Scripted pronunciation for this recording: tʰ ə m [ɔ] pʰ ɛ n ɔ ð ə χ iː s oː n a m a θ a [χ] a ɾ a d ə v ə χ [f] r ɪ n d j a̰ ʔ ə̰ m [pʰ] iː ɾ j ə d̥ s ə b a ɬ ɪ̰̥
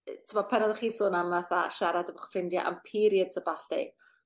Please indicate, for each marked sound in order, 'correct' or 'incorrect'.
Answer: correct, incorrect: ʃ, correct, correct

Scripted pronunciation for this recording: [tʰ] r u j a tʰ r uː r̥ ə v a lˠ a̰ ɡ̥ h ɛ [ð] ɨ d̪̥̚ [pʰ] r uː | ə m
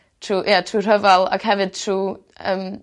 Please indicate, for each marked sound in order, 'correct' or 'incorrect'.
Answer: correct, incorrect: v, incorrect: tʰ

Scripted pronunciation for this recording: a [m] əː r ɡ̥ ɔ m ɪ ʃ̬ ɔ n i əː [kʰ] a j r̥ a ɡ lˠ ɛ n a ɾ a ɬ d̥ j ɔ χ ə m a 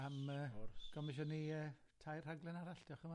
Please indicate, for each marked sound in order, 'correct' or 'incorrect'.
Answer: correct, incorrect: tʰ

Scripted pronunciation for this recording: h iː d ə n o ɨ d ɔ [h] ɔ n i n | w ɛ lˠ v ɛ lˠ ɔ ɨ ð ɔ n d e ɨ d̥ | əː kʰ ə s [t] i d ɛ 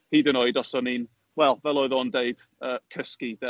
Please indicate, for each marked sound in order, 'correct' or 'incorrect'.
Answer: incorrect: s, incorrect: k

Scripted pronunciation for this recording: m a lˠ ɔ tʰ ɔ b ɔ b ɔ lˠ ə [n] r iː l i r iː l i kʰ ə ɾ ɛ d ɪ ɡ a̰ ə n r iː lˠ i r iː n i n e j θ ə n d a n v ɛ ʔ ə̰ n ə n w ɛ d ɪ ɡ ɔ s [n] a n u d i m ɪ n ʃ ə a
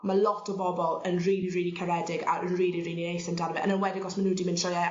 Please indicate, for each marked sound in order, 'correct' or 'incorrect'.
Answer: correct, incorrect: m

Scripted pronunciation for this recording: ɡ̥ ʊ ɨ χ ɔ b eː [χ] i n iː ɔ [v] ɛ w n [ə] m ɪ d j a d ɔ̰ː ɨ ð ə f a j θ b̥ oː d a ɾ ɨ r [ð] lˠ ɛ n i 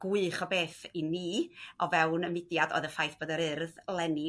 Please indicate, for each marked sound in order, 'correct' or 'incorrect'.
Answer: incorrect: θ, correct, correct, correct

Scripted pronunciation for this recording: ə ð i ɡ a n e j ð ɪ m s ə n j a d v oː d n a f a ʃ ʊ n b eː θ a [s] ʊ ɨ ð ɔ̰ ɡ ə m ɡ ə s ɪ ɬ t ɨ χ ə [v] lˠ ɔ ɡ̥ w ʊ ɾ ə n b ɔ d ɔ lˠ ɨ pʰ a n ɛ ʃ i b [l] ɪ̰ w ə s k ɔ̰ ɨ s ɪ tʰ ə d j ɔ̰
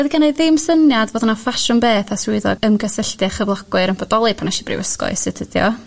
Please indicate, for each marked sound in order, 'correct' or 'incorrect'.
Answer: correct, correct, incorrect: r

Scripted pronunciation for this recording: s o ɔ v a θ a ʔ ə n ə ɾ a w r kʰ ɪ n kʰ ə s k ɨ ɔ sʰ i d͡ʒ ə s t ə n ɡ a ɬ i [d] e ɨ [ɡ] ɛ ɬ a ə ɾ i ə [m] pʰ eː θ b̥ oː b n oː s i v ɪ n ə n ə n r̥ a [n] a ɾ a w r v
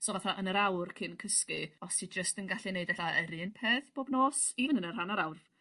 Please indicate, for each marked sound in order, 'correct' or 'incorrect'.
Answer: incorrect: n, incorrect: d, incorrect: n, correct

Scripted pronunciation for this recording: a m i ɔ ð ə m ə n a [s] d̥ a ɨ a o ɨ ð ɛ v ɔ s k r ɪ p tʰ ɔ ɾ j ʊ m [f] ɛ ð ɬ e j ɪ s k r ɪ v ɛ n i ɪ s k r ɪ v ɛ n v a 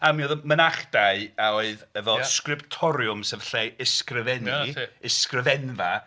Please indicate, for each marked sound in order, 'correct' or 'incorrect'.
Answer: incorrect: χ, incorrect: s

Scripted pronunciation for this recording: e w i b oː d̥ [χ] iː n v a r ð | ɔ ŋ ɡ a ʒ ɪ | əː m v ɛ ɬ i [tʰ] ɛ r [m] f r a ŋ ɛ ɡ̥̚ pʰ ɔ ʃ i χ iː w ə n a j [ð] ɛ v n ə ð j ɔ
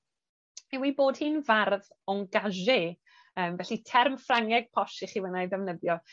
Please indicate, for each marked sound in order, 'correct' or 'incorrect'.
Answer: incorrect: h, correct, correct, correct

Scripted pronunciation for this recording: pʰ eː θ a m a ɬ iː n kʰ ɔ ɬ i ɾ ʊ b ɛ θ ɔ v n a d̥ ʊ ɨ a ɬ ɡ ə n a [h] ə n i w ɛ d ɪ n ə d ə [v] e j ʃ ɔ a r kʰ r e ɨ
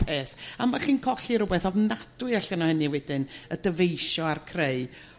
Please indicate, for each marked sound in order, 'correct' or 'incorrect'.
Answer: correct, correct

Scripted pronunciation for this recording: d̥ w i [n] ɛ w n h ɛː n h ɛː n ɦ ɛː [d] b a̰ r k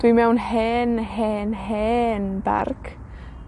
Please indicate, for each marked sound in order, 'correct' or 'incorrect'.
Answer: incorrect: m, incorrect: n

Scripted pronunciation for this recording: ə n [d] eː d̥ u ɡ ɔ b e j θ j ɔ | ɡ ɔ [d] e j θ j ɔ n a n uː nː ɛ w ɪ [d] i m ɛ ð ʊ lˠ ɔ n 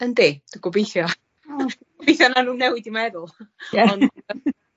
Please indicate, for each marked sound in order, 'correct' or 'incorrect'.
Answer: correct, incorrect: b, correct

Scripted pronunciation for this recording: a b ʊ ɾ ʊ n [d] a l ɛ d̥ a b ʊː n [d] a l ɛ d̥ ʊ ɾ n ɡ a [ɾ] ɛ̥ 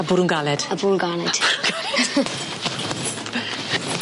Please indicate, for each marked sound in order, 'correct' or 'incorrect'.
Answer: incorrect: ɡ, incorrect: ɡ, incorrect: l

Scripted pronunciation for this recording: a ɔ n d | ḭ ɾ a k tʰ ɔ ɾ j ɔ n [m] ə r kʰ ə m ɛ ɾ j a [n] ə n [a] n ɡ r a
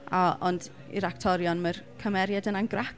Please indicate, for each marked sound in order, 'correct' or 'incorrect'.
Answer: correct, incorrect: d, correct

